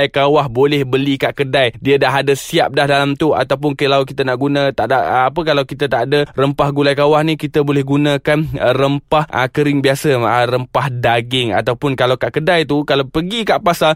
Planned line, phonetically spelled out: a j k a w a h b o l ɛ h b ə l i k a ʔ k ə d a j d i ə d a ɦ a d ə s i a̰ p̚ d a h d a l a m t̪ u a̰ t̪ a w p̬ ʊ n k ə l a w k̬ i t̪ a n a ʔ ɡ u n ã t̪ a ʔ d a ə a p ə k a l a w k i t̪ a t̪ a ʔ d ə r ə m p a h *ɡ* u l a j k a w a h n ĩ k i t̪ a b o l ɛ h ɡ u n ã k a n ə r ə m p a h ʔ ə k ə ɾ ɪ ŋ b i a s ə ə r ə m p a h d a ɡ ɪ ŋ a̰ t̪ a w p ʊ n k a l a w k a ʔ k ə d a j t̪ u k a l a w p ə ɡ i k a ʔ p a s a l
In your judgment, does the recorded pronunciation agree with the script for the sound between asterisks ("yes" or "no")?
yes